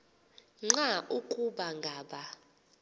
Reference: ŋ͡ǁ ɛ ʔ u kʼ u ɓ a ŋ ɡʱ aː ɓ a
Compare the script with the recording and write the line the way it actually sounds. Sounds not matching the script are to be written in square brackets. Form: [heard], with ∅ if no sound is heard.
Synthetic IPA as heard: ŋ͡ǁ [a] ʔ u kʼ u ɓ a ŋ ɡʱ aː ɓ a